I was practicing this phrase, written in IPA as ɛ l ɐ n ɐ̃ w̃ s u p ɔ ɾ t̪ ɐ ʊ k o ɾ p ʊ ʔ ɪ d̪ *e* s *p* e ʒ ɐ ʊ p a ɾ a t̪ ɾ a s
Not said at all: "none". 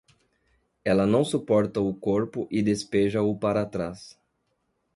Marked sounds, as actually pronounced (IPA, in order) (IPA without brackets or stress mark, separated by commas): e, p